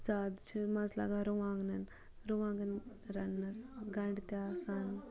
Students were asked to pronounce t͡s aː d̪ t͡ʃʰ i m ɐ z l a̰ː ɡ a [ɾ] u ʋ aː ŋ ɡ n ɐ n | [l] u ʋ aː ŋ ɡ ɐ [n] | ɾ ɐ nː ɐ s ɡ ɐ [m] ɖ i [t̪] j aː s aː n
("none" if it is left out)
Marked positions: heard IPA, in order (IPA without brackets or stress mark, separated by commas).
ɾ, ɾ, n, ɳ, t̪